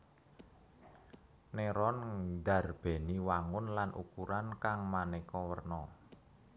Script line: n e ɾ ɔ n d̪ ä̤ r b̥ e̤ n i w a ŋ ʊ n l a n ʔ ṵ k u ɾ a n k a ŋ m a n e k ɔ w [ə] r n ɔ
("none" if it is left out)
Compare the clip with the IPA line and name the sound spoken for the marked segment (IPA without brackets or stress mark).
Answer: ə